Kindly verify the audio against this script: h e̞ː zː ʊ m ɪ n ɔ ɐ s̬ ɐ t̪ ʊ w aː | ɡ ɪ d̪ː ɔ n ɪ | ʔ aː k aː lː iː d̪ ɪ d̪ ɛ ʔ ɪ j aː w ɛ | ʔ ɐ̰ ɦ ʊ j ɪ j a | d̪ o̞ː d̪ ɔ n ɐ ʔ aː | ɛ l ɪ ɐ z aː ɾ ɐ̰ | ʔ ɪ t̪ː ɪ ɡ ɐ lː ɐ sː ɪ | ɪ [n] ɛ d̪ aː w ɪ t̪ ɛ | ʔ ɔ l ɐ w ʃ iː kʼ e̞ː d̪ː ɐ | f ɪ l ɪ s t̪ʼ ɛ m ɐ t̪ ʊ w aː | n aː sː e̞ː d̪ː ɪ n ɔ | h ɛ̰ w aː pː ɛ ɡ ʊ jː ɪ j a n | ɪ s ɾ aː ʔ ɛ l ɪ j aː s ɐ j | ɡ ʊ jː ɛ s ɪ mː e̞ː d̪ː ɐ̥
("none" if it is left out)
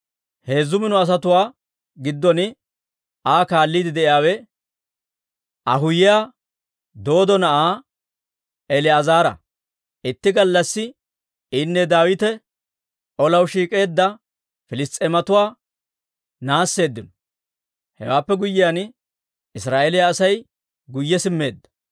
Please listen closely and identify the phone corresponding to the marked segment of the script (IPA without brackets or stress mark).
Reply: nː